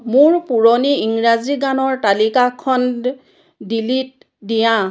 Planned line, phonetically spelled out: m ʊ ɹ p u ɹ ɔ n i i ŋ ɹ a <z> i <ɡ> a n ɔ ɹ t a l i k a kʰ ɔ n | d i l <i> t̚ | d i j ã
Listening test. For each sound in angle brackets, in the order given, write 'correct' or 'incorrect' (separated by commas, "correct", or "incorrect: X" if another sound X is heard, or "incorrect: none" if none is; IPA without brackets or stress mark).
correct, correct, correct